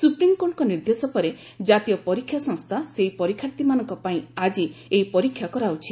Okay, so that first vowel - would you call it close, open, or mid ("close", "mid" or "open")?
close